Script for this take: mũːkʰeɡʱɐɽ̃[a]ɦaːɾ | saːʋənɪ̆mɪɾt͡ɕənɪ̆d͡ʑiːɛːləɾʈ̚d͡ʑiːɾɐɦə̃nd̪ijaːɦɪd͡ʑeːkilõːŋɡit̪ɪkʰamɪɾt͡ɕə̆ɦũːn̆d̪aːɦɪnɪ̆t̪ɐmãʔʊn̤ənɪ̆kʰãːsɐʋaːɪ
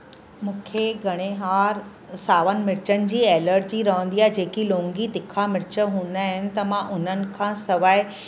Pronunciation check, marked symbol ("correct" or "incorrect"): incorrect